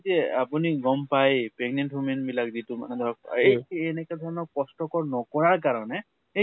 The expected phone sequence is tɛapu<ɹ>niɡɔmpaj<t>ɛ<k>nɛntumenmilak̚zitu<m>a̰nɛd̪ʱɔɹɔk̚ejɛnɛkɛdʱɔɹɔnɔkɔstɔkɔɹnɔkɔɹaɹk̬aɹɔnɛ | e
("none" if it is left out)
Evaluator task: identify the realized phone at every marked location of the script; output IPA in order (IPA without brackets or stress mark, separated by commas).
none, p, ɡ, m